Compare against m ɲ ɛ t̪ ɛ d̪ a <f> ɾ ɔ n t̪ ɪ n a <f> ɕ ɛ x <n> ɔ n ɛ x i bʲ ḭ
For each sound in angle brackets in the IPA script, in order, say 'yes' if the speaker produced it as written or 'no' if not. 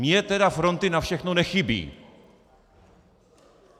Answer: yes, yes, yes

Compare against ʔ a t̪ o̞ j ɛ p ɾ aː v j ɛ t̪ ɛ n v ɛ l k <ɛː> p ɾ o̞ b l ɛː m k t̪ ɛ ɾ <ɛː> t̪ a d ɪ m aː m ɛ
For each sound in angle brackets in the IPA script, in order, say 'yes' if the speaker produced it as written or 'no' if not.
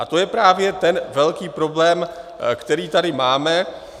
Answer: no, no

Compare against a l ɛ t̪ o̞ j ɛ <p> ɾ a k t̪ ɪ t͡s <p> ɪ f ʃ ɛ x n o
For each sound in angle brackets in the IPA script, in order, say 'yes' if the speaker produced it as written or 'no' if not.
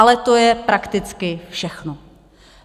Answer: yes, no

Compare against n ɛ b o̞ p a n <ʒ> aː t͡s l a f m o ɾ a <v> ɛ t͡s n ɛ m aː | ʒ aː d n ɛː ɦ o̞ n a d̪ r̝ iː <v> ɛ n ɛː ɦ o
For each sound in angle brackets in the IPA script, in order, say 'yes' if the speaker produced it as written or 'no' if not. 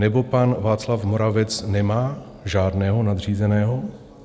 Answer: no, yes, no

